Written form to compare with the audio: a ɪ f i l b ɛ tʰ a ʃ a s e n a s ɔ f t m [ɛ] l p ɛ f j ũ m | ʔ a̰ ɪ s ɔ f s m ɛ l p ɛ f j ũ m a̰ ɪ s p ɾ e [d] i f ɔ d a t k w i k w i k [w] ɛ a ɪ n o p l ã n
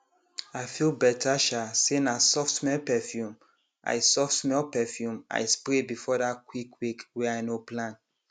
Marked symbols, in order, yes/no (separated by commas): yes, no, yes